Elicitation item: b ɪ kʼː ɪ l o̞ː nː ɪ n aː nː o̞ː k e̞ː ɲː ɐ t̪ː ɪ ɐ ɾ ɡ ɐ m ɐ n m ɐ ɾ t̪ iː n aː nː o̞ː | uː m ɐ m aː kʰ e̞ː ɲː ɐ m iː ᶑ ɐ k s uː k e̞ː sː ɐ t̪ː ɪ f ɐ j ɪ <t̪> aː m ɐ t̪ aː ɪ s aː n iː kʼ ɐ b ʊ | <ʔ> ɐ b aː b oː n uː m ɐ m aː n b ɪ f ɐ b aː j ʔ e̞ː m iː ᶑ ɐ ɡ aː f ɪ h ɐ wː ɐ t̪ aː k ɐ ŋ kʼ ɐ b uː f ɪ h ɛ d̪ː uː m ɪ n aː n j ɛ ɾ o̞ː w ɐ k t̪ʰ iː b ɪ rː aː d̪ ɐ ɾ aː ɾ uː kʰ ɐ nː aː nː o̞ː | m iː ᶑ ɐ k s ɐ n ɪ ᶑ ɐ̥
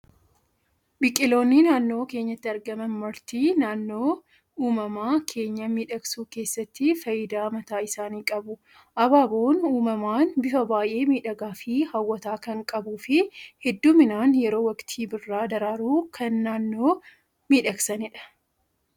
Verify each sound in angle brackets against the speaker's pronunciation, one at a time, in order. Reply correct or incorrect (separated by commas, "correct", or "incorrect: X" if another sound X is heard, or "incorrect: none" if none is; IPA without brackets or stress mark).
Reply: incorrect: d̪, correct